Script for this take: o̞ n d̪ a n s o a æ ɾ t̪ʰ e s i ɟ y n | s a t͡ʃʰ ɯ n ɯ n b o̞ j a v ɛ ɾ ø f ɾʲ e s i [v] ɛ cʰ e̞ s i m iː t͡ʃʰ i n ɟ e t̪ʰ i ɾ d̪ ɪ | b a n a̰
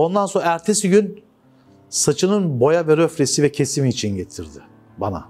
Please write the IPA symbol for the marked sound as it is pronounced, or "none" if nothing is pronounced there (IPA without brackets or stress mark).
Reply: v